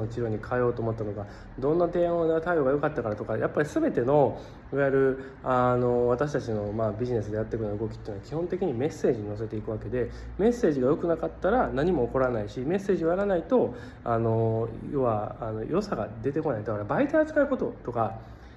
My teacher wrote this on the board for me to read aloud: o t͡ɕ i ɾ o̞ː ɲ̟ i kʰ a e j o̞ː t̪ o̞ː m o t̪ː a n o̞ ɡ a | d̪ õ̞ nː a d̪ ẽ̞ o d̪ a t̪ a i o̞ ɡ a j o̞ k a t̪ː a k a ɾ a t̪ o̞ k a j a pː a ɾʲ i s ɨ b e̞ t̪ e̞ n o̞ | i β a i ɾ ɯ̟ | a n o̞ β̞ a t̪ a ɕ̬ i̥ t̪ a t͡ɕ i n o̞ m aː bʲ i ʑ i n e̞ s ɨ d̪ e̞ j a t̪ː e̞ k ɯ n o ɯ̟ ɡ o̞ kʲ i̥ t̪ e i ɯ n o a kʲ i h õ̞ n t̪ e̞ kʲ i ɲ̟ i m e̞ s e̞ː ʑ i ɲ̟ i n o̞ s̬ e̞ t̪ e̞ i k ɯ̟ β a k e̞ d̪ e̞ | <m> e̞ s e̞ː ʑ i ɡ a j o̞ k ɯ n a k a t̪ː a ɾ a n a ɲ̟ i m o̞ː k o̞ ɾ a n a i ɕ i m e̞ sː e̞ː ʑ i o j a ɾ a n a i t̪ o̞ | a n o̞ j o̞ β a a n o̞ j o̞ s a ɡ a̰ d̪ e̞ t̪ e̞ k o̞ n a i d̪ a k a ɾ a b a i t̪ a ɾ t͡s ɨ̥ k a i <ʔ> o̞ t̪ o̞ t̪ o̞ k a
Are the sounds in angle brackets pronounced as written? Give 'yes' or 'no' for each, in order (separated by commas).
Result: yes, no